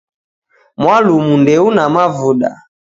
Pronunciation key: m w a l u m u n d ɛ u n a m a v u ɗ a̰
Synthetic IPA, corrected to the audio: m w a l u m u n d ɛ u n a m a v u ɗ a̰